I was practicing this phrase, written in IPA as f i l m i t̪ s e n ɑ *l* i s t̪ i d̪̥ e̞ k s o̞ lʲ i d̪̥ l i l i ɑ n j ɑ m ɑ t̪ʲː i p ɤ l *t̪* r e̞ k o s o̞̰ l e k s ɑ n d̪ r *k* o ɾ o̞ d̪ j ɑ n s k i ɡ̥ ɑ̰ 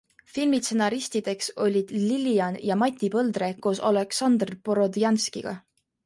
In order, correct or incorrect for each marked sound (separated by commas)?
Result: incorrect, incorrect, incorrect